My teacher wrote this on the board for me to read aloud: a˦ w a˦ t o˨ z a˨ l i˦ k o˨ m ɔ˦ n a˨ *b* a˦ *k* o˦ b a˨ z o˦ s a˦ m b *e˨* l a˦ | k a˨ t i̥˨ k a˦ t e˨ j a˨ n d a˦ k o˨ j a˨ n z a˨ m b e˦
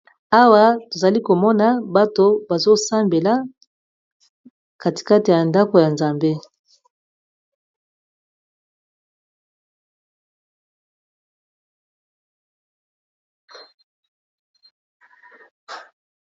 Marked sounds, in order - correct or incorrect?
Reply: correct, incorrect, correct

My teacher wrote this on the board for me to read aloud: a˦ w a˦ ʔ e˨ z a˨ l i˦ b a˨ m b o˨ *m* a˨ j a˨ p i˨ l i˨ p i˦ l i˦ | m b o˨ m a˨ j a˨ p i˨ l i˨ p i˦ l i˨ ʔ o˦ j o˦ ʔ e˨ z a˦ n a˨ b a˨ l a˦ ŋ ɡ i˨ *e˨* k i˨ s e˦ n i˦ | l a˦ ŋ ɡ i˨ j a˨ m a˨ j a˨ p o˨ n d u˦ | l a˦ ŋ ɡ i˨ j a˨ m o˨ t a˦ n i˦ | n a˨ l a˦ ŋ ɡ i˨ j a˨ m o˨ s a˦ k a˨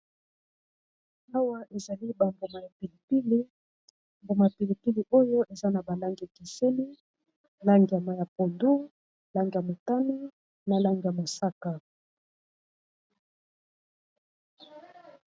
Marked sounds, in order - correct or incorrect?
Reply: correct, incorrect

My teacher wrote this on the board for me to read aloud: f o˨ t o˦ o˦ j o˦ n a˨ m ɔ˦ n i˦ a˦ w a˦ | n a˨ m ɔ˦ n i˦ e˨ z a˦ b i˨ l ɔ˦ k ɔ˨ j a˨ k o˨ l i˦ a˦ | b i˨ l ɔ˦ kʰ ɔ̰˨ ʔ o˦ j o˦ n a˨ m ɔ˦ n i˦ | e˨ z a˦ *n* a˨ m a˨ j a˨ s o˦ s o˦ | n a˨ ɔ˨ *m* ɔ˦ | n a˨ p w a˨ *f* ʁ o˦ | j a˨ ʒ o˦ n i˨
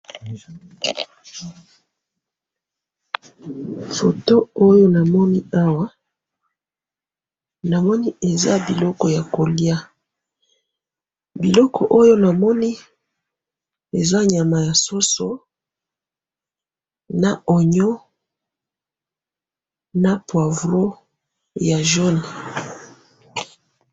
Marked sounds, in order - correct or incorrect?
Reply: incorrect, incorrect, incorrect

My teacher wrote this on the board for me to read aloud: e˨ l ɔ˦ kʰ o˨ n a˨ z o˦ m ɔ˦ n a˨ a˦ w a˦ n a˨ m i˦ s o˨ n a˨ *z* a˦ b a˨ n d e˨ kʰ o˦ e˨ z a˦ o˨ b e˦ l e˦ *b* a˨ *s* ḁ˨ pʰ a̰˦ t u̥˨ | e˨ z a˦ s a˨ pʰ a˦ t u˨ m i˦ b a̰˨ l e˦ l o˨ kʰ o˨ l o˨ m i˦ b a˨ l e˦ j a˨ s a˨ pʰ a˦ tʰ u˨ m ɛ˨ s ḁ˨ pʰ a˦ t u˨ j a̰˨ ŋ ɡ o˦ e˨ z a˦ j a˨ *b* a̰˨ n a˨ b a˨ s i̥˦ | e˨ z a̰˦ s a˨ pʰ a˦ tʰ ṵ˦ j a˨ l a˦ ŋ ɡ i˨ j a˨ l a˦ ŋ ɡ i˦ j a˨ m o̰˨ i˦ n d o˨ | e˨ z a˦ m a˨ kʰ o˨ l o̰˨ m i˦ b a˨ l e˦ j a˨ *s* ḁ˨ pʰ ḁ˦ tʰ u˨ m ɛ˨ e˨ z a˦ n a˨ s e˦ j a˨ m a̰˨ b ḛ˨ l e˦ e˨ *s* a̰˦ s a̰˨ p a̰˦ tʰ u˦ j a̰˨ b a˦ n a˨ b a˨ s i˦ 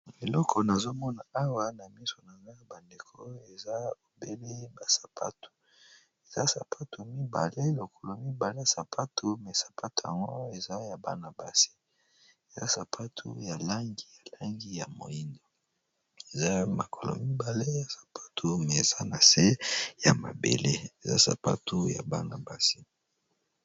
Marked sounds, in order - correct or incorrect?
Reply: correct, correct, correct, correct, correct, incorrect

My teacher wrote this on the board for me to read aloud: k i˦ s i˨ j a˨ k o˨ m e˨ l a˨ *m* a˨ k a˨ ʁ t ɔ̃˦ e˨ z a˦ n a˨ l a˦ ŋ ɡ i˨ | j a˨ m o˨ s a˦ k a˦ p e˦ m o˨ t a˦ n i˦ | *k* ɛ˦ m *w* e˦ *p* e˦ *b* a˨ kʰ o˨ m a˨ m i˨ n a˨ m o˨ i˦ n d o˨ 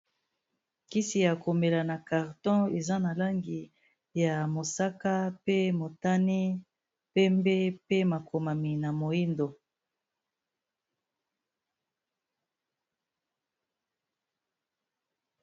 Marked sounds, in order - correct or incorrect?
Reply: incorrect, incorrect, incorrect, correct, incorrect

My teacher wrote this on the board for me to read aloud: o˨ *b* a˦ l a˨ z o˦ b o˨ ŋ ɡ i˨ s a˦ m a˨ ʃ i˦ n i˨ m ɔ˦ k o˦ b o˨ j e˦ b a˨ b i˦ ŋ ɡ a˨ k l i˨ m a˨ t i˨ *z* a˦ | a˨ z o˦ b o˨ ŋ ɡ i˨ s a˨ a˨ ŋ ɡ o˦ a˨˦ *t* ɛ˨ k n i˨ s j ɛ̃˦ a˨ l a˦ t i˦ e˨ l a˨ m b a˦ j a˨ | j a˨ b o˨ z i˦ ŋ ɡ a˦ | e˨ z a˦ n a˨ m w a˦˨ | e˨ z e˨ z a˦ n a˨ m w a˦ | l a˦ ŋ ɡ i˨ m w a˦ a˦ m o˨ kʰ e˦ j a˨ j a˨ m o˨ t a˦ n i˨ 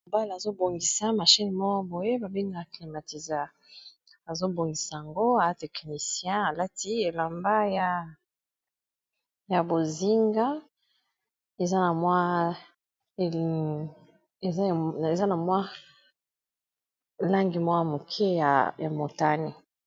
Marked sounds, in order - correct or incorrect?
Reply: correct, correct, correct

